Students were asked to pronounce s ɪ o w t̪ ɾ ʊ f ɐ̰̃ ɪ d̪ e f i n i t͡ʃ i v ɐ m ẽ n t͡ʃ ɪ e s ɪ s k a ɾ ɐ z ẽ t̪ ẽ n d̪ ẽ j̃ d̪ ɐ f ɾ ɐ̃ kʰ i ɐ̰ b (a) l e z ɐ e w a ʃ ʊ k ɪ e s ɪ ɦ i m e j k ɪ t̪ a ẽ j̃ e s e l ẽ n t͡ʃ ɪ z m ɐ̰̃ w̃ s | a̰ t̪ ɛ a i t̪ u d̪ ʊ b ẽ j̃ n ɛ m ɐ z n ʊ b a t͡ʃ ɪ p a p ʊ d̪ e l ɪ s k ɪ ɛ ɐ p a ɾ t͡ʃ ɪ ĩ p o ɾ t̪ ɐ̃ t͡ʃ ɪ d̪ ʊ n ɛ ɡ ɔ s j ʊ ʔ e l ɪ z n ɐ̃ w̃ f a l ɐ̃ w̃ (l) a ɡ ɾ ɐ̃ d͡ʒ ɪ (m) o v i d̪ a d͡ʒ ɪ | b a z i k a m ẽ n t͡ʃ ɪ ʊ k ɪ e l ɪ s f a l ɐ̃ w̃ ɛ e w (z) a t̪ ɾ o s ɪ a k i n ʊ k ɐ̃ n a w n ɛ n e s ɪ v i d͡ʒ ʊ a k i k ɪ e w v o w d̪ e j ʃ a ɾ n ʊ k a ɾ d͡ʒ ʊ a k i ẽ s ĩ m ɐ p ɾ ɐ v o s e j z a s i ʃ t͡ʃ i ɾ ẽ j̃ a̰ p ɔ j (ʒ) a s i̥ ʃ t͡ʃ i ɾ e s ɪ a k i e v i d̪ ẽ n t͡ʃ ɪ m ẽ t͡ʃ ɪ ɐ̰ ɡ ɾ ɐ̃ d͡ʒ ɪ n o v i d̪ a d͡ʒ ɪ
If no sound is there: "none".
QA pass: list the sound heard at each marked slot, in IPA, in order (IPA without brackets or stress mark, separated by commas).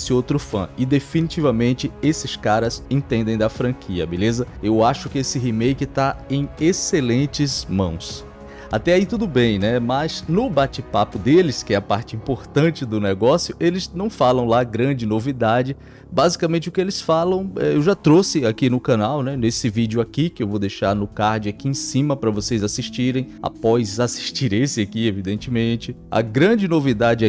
e, l, n, ʒ, z